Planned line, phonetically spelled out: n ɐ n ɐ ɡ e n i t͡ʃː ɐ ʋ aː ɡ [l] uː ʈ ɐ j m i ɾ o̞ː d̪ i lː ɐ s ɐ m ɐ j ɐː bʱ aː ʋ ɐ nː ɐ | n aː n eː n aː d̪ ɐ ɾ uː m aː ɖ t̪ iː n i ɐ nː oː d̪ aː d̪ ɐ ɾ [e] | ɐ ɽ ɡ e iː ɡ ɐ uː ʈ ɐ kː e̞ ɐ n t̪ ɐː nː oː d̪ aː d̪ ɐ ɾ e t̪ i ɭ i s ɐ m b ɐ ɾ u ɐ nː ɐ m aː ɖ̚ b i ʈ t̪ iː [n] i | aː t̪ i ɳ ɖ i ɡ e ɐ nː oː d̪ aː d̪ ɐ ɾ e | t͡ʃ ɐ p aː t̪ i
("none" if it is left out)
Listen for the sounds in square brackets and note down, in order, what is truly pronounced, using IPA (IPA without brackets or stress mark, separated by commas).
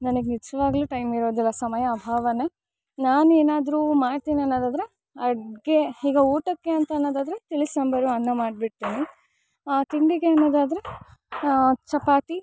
l, e, n